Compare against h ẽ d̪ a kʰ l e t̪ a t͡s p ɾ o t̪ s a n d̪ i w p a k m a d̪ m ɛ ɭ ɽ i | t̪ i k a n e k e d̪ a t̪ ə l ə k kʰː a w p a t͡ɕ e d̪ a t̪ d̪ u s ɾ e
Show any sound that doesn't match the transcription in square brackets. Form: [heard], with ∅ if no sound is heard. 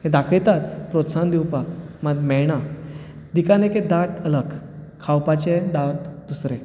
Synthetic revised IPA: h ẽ d̪ a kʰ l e t̪ a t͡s p ɾ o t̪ s a n d̪ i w p a k m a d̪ m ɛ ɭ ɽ [a] | [d̪] i k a n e k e d̪ a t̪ ə l ə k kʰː a w p a t͡ɕ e d̪ a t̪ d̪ u s ɾ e